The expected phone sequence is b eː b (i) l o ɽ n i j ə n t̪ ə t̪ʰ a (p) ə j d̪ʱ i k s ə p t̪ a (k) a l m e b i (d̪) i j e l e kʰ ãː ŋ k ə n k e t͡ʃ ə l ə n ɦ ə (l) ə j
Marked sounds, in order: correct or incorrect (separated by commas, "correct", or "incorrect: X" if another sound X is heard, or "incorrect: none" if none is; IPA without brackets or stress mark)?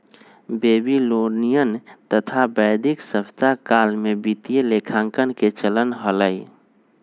correct, incorrect: b, correct, incorrect: t̪, correct